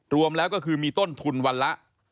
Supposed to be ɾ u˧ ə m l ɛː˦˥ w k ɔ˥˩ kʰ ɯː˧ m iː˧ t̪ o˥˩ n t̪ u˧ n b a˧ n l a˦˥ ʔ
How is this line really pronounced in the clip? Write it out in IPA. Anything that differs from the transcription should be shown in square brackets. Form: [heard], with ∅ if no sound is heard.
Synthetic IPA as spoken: ɾ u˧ ə m l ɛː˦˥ w k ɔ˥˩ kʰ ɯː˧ m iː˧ t̪ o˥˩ n [t̪ʰ] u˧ n [w] a˧ n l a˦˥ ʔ